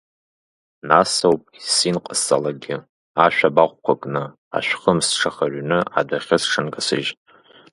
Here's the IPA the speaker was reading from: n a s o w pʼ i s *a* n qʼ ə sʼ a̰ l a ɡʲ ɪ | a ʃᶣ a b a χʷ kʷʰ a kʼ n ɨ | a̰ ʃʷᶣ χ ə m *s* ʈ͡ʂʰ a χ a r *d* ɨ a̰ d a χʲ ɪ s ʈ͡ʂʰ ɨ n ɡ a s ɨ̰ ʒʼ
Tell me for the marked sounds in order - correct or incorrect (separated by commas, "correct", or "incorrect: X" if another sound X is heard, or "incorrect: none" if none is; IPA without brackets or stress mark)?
incorrect: i, correct, incorrect: n